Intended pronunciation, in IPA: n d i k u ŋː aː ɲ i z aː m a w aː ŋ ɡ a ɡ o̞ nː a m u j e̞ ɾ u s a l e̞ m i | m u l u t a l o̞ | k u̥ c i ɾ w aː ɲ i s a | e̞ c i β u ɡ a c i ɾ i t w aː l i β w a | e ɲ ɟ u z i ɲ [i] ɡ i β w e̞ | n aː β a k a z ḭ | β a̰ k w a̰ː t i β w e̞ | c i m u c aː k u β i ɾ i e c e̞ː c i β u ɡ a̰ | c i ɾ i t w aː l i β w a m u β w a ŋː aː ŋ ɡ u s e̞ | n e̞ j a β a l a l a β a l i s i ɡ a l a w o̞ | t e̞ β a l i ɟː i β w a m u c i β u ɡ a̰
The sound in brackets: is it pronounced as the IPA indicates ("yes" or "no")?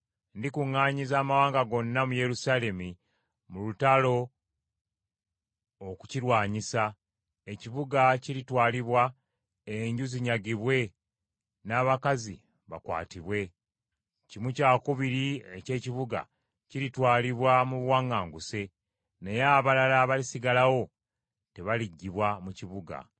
no